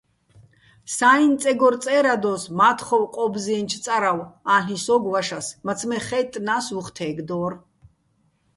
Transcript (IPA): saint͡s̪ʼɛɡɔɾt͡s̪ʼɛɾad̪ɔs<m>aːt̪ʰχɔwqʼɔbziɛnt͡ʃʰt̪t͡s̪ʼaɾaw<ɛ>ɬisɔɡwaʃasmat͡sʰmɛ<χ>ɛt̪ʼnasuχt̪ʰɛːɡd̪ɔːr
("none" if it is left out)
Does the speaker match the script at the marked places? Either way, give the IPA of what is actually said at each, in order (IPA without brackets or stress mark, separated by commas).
m, a, χ